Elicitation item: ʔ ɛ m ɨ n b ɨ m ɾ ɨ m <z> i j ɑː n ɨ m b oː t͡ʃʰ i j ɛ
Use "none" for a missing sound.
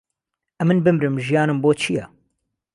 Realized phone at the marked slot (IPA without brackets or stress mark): ʒ